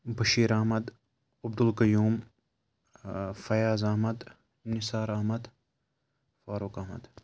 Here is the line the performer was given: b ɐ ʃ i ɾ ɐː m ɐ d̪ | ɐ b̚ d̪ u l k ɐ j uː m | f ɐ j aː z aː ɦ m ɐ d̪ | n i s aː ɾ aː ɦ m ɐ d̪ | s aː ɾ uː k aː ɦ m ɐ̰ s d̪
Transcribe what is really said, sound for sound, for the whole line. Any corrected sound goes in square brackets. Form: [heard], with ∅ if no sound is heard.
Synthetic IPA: b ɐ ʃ [iː] ɾ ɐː m ɐ d̪ | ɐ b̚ d̪ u l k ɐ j uː m | f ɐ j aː z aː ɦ m ɐ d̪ | n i s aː ɾ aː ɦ m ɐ d̪ | [f] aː ɾ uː k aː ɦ m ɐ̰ [∅] d̪

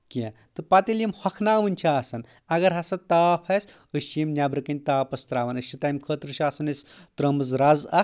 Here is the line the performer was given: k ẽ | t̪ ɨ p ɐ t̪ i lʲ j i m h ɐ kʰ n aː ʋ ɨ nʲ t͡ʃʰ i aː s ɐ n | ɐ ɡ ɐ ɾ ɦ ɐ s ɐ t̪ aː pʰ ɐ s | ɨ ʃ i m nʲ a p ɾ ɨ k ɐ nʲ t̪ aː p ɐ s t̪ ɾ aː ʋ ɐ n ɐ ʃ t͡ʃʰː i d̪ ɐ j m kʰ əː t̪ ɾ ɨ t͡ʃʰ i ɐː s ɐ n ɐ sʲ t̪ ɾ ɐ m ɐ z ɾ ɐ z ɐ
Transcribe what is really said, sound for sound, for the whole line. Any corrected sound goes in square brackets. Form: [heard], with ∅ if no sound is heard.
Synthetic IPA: k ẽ | t̪ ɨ p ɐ t̪ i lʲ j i m h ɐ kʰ n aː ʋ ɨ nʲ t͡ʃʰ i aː s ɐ n | ɐ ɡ ɐ ɾ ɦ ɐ s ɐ t̪ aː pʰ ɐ s | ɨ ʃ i m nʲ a [b] ɾ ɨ k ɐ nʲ t̪ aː p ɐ s t̪ ɾ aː ʋ ɐ n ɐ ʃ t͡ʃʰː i [t̪] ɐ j m kʰ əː t̪ ɾ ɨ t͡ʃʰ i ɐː s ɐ n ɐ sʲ t̪ ɾ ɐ m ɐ z ɾ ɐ z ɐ

